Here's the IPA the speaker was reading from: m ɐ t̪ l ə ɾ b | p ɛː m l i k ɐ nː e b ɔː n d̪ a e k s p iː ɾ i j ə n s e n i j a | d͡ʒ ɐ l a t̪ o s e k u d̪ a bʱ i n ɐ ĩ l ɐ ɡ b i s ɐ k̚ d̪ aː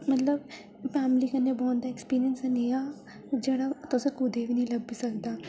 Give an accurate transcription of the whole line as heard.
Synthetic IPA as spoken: m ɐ t̪ l ə b | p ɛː m l i k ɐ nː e b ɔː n d̪ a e k s p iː ɾ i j ə n s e n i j a | d͡ʒ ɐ ɽ a t̪ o s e k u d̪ e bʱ i n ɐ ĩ l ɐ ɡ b i s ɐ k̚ d̪ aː